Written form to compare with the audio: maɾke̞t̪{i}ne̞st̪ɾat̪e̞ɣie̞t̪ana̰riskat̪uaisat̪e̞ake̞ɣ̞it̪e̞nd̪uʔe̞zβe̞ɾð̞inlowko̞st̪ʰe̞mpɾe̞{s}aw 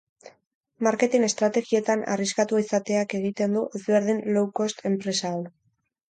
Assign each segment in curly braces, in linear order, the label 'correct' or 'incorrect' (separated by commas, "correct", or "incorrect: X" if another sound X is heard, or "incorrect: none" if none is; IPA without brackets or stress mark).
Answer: correct, correct